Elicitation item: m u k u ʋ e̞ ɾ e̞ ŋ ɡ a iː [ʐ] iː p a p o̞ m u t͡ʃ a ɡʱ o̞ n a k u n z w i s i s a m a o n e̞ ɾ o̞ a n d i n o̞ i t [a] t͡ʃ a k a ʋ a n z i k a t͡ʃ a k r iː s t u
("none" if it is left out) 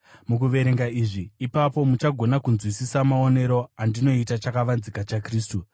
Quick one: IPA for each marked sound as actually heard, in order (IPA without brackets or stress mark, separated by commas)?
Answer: ʐ, a